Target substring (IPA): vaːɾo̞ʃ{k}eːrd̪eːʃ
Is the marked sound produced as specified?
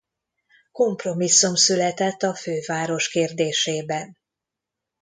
yes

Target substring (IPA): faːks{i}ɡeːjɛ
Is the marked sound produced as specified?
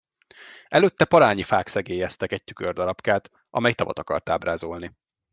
no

